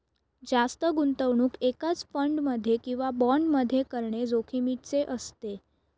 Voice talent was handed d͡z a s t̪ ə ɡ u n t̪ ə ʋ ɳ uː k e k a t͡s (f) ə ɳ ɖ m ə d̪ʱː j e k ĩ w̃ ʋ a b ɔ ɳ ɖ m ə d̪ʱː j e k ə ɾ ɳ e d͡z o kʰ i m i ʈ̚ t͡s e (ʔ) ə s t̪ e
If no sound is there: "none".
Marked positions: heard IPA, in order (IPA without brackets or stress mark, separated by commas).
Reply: f, ʔ